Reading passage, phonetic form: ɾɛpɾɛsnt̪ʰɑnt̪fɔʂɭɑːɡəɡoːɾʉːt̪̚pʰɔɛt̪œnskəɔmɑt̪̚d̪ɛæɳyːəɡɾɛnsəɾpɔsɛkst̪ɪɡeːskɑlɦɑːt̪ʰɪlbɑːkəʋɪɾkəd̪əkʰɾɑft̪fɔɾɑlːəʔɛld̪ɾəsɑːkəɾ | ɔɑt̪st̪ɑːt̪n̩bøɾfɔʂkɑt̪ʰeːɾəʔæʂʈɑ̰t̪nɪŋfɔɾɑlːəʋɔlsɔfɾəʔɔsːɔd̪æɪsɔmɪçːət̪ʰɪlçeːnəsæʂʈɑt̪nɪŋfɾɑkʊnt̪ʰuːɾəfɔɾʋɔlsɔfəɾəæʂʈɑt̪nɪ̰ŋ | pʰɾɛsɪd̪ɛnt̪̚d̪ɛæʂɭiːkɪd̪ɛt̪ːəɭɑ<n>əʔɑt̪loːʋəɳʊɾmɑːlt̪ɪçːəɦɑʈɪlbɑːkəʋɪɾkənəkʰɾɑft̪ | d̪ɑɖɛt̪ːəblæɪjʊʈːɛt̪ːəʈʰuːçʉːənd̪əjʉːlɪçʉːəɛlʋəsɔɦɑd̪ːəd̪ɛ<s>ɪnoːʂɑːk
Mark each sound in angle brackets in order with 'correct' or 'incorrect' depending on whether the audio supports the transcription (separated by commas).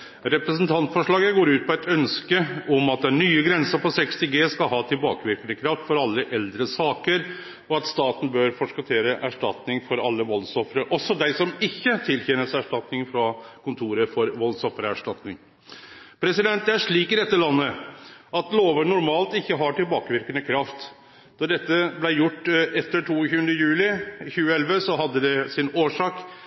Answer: incorrect, correct